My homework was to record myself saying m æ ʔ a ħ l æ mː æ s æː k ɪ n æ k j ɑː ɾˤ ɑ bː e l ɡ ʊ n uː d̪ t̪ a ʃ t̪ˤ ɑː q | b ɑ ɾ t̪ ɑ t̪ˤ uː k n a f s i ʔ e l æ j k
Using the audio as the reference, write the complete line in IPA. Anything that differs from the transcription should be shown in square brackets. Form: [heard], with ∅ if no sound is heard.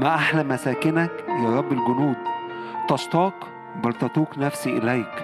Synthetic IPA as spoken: m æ ʔ a ħ l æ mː æ s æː k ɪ n æ k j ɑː ɾˤ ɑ bː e l ɡ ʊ n uː d̪ t̪ [ɑ] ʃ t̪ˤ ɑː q | b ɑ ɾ t̪ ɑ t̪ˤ uː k n [æ] f s i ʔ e l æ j k